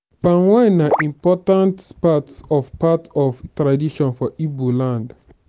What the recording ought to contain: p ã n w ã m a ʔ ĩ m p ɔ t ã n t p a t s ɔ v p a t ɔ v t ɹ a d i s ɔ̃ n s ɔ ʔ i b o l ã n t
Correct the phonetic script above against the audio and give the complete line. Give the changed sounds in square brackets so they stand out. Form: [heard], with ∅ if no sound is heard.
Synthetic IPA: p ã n w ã [n] a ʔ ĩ m p ɔ t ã n t p a t s ɔ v p a t ɔ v t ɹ a d i [ʃ] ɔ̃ n [f] ɔ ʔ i b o l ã n [d]